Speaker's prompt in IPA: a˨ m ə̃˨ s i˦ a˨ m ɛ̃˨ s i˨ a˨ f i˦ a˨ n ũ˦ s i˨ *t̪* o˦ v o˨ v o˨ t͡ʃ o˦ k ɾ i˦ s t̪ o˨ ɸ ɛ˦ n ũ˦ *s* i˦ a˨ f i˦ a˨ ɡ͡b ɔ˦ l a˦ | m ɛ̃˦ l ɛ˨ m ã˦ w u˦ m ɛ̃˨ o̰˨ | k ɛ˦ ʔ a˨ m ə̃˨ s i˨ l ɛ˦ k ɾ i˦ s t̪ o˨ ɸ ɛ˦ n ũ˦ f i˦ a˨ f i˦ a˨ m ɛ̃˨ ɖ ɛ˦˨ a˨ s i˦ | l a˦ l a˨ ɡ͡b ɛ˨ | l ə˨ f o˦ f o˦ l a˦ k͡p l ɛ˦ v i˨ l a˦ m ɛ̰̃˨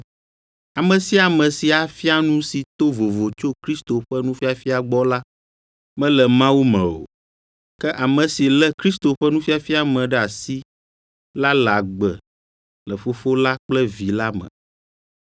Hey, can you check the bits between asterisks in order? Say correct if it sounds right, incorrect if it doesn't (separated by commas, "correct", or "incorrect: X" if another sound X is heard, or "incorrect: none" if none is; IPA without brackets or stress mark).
correct, incorrect: f